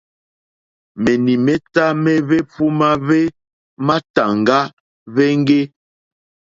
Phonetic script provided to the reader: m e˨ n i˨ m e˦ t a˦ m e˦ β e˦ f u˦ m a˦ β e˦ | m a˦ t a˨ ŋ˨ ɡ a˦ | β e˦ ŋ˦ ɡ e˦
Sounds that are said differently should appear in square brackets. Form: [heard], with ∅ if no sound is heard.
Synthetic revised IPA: m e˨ n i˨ m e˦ t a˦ m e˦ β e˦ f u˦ m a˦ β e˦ | m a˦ t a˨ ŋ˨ ɡ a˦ | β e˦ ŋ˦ ɡ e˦